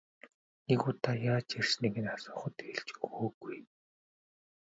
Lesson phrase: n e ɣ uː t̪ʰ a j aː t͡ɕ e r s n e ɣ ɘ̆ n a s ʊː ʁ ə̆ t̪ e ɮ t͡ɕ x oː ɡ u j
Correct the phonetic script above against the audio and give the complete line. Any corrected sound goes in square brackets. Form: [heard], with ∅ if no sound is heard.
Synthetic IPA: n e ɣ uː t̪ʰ a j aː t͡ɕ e r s n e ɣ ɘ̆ n a s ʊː [χ] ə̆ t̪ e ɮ t͡ɕ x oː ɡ u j